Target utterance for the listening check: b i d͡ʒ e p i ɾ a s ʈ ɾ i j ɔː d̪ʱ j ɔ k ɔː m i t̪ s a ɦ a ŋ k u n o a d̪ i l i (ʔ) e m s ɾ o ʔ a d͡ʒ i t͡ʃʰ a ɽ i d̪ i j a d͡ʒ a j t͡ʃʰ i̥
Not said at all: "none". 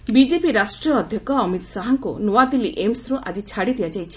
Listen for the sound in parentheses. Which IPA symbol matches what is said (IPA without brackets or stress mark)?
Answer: ʔ